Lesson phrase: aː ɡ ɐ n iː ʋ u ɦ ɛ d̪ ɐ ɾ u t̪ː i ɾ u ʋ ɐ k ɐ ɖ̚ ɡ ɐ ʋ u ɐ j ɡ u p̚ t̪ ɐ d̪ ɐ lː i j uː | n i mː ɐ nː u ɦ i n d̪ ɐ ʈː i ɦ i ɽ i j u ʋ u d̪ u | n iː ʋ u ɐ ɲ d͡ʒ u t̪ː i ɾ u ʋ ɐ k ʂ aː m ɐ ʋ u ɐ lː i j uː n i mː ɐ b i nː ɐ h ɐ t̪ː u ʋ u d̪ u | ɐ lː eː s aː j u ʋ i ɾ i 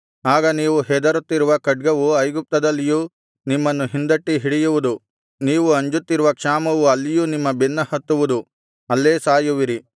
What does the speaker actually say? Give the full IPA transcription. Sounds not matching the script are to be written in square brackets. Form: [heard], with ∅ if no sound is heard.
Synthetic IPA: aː ɡ ɐ n iː ʋ u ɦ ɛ d̪ ɐ ɾ u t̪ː i ɾ u ʋ ɐ k ɐ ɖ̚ ɡ ɐ ʋ u ɐ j ɡ u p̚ t̪ ɐ d̪ ɐ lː i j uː | n i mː ɐ nː u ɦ i n d̪ ɐ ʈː i ɦ i ɽ i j u ʋ u d̪ u | n iː ʋ u ɐ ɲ d͡ʒ u t̪ː i ɾ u ʋ ɐ k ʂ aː m ɐ ʋ u ɐ lː i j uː n i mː ɐ b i nː ɐ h ɐ t̪ː u ʋ u d̪ u | ɐ lː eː s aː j u ʋ i ɾ i